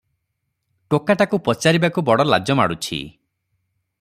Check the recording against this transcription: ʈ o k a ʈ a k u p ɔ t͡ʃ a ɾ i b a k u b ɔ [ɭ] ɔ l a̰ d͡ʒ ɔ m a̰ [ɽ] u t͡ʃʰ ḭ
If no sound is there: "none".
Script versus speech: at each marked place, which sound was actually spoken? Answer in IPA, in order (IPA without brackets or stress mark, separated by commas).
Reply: ɽ, ɽ